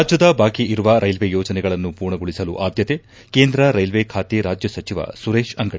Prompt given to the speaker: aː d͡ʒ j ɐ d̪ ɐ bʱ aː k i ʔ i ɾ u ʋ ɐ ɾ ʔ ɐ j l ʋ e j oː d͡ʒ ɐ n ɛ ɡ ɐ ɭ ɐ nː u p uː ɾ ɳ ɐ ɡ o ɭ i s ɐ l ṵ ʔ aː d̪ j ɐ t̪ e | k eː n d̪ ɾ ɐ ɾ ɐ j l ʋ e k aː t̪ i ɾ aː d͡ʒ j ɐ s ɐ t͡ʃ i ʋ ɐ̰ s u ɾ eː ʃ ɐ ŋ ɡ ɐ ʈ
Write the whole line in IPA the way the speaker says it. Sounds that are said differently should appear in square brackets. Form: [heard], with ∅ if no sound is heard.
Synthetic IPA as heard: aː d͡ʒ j ɐ d̪ ɐ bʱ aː k i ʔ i ɾ u ʋ ɐ ɾ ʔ ɐ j l ʋ e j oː d͡ʒ ɐ n ɛ ɡ ɐ ɭ ɐ nː u p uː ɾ ɳ ɐ ɡ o ɭ i s ɐ l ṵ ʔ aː d̪ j ɐ t̪ e | k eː n d̪ ɾ ɐ ɾ ɐ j l ʋ e [kʰ] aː t̪ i ɾ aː d͡ʒ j ɐ s ɐ t͡ʃ i ʋ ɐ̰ s u ɾ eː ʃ ɐ ŋ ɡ ɐ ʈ